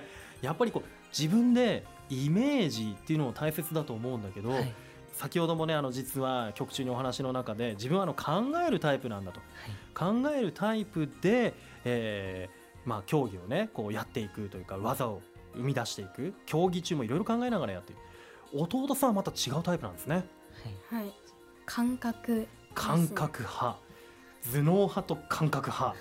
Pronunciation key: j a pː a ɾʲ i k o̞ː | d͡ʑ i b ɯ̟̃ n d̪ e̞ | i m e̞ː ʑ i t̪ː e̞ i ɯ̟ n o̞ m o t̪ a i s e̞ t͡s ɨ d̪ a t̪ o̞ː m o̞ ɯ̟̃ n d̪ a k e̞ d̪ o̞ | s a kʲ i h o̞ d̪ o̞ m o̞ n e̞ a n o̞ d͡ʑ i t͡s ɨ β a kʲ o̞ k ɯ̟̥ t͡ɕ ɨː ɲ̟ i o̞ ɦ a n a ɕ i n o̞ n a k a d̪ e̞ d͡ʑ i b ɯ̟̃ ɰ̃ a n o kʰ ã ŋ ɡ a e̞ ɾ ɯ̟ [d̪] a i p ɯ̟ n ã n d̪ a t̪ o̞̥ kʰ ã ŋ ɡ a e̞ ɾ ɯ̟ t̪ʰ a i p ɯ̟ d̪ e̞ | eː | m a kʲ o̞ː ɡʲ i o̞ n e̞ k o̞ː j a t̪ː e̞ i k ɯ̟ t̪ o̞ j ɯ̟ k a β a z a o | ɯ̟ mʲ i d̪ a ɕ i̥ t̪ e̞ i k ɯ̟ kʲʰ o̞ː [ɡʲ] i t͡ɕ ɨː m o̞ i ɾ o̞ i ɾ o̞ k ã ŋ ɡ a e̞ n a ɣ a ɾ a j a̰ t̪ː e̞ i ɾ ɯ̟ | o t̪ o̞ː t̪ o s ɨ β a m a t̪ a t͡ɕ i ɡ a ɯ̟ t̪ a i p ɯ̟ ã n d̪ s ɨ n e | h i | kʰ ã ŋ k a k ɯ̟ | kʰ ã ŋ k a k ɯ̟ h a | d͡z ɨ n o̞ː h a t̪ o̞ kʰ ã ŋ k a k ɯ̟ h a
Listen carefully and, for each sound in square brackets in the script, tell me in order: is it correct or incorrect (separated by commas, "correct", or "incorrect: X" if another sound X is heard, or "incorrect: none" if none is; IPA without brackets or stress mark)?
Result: incorrect: t̪, correct